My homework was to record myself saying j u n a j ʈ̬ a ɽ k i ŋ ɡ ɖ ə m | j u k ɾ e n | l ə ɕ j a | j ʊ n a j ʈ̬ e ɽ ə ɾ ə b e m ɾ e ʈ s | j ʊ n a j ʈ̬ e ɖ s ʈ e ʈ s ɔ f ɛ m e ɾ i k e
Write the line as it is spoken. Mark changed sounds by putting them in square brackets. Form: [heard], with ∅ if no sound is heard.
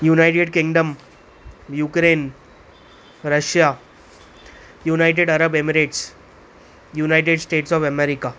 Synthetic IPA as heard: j u n a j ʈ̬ [e] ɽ k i ŋ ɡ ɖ ə m | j u k ɾ e n | [ɾ] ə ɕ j a | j [u] n a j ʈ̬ e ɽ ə ɾ ə b e m ɾ e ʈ s | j [u] n a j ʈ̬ e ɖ s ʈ e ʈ s ɔ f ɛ m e ɾ i k [a]